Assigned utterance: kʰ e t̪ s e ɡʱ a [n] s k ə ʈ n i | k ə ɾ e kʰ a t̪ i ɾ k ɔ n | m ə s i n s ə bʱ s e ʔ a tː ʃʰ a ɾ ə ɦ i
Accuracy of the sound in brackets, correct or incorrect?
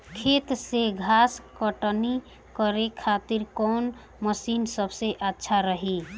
incorrect